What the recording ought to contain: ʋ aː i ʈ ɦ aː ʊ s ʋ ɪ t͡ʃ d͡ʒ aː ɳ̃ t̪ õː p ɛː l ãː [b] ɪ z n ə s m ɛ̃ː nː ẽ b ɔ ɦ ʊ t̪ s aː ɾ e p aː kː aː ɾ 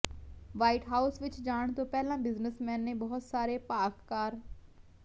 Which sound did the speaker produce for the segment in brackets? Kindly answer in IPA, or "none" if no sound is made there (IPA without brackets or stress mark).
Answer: b